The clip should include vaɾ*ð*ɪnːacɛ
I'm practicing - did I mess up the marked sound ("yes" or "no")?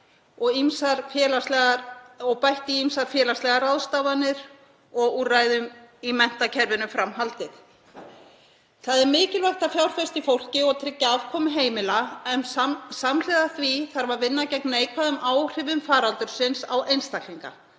yes